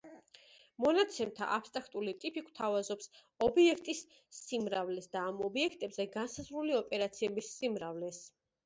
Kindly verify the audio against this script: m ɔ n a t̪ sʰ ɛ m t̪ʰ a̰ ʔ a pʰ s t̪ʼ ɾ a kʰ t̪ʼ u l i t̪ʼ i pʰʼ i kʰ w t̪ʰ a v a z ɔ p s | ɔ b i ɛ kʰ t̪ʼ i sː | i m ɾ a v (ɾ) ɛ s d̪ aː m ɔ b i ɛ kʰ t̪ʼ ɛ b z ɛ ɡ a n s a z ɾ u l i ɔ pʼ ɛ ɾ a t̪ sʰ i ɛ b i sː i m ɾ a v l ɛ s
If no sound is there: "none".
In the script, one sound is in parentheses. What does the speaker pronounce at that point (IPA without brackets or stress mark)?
l